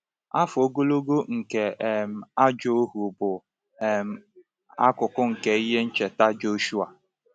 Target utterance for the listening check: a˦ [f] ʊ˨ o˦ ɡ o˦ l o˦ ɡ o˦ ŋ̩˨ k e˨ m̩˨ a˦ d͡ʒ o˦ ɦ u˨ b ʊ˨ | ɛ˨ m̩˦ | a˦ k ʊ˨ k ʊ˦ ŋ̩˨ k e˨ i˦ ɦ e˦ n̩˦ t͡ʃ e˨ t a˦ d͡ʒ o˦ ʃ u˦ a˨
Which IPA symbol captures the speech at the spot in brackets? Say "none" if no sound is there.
f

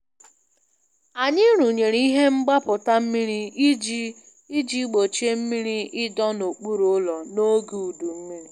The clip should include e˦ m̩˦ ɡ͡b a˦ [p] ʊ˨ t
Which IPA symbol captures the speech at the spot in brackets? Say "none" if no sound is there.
p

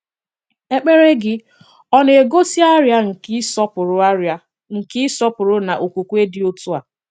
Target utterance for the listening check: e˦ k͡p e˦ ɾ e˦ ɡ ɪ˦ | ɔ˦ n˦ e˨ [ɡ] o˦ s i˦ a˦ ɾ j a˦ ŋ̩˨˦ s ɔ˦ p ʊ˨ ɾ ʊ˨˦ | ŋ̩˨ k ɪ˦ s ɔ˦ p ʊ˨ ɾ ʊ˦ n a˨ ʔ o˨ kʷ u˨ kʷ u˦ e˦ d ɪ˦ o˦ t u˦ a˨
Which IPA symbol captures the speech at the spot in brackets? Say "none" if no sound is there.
ɡ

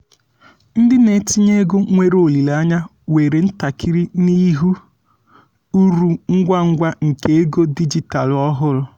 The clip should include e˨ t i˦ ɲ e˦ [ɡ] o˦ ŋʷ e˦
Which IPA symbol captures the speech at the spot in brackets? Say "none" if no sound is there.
ɡ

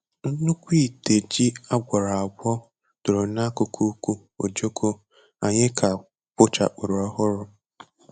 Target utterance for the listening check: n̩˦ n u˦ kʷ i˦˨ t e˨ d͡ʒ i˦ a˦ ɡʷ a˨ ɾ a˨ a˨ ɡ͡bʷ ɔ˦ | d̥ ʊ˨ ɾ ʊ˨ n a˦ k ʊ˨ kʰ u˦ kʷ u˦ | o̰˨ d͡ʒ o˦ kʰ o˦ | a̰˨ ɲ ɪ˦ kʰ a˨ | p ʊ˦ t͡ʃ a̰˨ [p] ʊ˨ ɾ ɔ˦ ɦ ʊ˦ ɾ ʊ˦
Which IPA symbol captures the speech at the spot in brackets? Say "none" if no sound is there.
k͡p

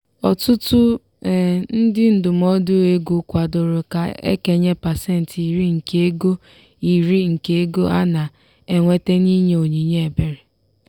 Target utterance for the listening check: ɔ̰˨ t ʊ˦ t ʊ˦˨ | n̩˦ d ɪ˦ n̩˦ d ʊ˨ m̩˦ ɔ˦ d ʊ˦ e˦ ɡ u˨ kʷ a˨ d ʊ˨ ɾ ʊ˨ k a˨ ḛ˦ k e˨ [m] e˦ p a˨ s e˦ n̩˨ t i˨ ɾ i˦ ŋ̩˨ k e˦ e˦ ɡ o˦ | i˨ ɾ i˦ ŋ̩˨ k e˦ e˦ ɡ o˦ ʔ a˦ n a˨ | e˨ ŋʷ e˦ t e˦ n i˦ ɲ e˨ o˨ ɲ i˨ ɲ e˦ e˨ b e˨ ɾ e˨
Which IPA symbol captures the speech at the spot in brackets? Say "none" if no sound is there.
ɲ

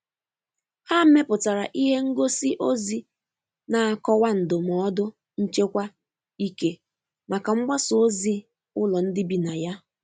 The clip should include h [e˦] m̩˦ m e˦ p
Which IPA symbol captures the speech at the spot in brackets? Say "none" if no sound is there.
a˦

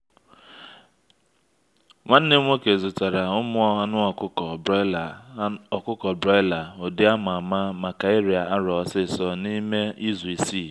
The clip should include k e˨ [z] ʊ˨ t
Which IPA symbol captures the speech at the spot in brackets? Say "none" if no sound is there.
z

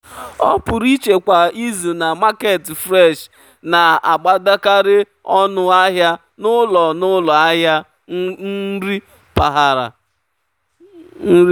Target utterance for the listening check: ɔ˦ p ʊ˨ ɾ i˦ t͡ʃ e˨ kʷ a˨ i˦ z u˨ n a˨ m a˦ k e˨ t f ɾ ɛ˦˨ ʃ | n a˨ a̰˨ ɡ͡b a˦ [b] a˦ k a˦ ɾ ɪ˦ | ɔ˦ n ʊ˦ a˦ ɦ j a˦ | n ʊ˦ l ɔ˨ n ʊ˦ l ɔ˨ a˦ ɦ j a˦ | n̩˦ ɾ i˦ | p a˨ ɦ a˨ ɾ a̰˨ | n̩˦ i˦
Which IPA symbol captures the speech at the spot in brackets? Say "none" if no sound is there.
d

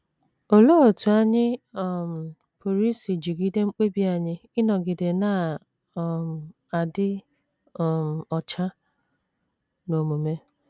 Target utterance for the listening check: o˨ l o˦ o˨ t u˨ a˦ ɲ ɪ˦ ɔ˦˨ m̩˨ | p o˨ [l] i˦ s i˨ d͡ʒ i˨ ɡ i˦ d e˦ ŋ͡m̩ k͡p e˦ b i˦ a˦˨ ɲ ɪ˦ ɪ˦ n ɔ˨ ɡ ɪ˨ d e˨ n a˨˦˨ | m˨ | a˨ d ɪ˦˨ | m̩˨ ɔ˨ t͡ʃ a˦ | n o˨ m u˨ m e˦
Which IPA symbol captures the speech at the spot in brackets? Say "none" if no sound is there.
ɾ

